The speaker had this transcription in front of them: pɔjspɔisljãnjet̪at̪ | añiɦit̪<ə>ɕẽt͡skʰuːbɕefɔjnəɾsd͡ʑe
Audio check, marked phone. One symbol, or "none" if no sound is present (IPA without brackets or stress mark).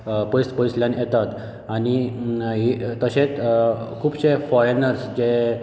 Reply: ə